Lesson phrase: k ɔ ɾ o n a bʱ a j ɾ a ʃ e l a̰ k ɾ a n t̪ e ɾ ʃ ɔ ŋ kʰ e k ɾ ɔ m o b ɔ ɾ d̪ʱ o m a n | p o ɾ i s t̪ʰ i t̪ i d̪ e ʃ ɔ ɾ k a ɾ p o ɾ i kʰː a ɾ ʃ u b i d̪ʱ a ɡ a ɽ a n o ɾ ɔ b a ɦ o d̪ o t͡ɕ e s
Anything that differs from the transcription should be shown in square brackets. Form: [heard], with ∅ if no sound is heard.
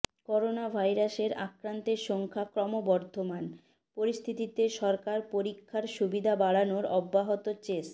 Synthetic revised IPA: k ɔ ɾ o n a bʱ a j ɾ a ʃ e [ɾ] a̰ k ɾ a n t̪ e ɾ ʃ ɔ ŋ kʰ [a] k ɾ ɔ m o b ɔ ɾ d̪ʱ o m a n | p o ɾ i s t̪ʰ i t̪ i [t̪] e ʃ ɔ ɾ k a ɾ p o ɾ i kʰː a ɾ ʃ u b i d̪ʱ a [b] a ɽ a n o ɾ ɔ [bː] a ɦ o [t̪] o t͡ɕ e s